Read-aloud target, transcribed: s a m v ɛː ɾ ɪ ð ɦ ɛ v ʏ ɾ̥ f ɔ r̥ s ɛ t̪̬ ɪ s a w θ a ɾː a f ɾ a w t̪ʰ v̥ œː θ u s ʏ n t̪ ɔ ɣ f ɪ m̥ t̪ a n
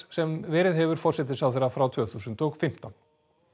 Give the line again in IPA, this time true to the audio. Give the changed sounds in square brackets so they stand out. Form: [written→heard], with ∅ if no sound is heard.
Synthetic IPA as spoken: s [a→ɛ] m v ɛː ɾ ɪ ð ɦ ɛ v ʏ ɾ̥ f ɔ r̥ s ɛ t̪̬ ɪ s a w θ [a→ɛ] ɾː a f ɾ a w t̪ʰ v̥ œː θ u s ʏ n t̪ ɔ ɣ f ɪ m̥ t̪ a n